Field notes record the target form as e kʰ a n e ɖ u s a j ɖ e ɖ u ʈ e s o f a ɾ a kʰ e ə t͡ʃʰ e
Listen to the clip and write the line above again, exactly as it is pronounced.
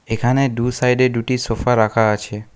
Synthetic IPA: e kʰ a n e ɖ u s a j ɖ e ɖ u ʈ i s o f a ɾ a kʰ a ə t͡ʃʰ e